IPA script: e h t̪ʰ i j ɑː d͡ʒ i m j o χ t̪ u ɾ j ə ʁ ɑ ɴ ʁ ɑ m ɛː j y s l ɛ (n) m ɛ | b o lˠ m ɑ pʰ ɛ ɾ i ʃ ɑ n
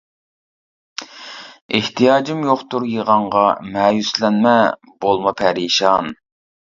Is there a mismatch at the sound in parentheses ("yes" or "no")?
no